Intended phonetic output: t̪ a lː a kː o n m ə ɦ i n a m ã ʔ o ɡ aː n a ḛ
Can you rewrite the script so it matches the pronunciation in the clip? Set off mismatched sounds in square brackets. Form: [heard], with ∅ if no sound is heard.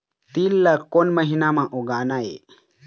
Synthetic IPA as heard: t̪ [i] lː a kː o n m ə ɦ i n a m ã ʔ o ɡ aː n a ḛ